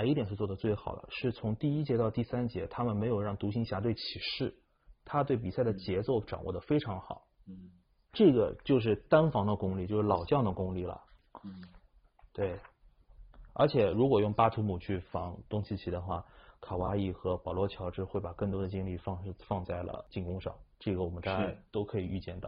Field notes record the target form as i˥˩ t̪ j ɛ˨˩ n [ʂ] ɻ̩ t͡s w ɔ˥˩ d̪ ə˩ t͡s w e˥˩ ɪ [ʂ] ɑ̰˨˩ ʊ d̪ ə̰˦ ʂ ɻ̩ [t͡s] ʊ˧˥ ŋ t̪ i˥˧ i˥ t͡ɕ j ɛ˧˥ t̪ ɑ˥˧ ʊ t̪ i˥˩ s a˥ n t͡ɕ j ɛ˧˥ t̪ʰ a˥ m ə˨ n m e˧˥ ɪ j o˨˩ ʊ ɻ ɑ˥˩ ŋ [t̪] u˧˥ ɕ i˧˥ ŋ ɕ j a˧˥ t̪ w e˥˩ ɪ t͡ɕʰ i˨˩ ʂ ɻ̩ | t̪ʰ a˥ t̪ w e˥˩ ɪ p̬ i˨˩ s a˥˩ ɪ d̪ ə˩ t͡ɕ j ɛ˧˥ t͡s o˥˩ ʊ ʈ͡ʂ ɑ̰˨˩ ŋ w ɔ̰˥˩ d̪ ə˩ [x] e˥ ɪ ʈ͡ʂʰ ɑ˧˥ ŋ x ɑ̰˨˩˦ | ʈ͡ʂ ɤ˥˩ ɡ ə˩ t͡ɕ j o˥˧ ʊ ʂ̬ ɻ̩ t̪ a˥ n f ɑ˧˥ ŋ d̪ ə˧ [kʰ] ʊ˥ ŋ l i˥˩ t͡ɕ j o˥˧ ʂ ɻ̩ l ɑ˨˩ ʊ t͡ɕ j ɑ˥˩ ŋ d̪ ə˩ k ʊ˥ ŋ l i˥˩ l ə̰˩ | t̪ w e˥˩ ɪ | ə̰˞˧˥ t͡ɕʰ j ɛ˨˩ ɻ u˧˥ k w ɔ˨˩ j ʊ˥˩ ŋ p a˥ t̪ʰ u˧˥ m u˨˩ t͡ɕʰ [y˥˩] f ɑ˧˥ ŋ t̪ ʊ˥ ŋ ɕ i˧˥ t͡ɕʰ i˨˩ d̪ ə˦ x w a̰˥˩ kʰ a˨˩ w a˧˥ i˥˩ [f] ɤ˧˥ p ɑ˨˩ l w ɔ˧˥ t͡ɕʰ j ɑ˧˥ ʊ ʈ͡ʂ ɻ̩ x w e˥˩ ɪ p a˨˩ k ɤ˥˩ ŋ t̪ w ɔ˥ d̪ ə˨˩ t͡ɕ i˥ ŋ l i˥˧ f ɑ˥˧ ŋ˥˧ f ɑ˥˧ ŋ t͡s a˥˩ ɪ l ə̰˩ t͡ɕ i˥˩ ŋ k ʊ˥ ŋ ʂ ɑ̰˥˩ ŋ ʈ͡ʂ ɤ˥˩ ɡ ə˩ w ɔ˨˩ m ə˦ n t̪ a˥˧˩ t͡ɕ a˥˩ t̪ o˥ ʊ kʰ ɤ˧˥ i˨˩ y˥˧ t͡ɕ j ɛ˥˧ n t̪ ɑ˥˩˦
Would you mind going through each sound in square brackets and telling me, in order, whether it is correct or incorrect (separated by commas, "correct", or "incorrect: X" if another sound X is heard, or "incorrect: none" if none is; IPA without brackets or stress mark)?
correct, incorrect: x, incorrect: t͡sʰ, correct, incorrect: f, incorrect: k, correct, incorrect: x